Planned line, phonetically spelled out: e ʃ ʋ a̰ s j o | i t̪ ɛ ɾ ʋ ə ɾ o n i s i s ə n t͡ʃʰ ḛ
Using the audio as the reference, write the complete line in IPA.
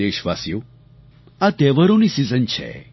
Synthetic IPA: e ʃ ʋ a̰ s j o | a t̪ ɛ ʋ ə ɾ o n i s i z ə n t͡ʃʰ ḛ